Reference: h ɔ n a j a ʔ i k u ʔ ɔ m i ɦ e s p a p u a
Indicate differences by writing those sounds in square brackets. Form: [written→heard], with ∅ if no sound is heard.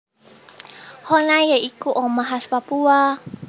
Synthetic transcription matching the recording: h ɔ n a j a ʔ i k u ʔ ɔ m [i→a] ɦ [e→a] s p a p u a